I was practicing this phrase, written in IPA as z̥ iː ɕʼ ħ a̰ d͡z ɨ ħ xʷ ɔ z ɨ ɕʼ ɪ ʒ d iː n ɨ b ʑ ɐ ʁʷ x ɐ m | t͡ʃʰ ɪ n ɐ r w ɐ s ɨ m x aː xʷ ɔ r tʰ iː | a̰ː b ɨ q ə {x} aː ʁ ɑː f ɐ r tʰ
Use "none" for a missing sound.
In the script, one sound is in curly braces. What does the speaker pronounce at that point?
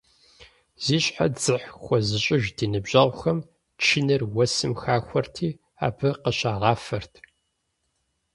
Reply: ɕ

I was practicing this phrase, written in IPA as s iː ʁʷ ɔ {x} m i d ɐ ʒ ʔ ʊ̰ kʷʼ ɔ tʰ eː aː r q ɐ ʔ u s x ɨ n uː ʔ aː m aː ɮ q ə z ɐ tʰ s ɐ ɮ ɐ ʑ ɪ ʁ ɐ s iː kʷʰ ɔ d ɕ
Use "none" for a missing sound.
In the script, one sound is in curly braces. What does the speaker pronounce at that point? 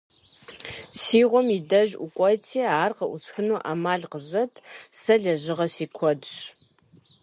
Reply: none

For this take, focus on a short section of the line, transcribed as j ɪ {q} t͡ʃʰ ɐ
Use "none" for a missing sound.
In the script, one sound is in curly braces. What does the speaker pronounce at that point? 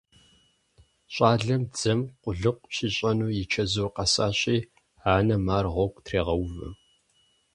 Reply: none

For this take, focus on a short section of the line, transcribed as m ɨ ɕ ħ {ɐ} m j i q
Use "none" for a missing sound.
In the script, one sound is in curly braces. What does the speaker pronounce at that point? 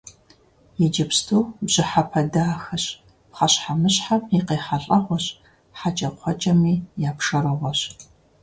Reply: a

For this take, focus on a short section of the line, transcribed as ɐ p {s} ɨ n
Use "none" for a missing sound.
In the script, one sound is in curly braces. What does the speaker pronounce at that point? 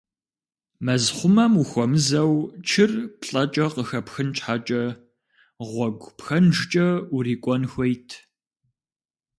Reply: x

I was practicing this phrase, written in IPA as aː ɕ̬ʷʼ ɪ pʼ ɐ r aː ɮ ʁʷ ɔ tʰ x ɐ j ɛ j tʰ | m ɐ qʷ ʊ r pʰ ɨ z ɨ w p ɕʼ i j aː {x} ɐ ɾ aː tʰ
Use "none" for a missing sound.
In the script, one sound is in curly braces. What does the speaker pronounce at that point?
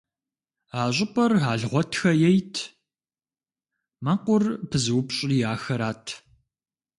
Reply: x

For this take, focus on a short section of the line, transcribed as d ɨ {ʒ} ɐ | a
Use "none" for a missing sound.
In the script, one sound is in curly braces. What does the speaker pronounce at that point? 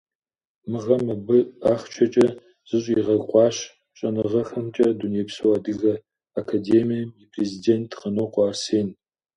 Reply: ɣ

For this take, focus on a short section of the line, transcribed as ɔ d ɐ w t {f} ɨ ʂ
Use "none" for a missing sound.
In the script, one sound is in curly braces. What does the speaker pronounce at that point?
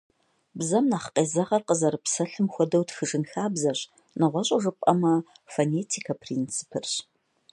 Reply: x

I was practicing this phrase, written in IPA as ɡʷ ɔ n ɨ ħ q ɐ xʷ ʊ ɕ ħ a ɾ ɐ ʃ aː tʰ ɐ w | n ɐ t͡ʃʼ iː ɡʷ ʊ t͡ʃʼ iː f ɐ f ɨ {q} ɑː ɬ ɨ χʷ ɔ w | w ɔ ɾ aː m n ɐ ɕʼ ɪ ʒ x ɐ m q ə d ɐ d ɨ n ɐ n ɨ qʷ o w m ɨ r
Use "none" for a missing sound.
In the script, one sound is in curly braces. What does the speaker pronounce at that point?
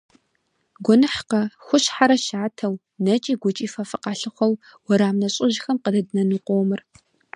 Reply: q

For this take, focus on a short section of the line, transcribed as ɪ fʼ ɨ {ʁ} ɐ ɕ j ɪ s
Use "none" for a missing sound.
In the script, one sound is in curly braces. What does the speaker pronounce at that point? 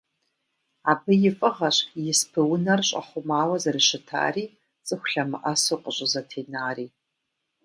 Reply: ʁ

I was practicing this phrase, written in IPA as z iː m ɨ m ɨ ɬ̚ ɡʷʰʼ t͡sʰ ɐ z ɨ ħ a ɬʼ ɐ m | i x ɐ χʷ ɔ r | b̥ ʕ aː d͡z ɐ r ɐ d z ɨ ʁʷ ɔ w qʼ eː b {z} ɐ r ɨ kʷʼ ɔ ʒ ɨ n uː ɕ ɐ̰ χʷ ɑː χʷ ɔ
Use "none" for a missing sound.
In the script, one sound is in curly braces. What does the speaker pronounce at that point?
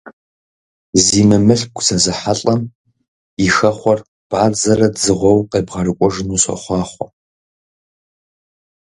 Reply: ʁ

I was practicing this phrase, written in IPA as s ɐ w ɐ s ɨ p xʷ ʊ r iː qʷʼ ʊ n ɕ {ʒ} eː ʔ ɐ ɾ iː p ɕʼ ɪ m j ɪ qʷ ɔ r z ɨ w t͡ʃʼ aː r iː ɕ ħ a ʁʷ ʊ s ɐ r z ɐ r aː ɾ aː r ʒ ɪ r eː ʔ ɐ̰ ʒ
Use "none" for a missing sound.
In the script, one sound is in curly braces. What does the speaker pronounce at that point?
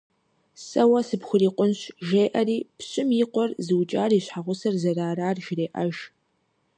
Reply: ʒ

